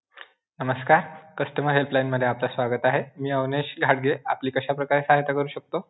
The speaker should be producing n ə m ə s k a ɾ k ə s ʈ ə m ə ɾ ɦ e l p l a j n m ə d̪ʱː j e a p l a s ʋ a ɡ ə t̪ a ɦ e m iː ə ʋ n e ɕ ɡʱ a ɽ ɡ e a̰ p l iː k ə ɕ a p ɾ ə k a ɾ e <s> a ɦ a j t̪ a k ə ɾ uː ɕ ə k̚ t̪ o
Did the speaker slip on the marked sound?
no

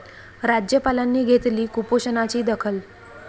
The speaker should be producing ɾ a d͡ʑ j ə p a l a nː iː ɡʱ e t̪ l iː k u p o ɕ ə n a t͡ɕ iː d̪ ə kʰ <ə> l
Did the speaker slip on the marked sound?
no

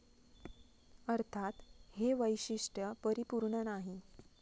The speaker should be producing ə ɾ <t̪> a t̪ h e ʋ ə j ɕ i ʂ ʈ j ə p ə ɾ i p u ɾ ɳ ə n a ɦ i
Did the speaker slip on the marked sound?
yes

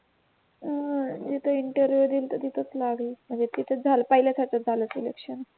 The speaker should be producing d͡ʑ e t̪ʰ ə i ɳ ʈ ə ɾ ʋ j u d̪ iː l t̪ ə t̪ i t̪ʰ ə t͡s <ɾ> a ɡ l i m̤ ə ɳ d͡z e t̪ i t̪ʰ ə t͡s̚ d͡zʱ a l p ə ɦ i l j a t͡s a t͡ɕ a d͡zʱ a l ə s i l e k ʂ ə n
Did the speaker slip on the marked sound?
yes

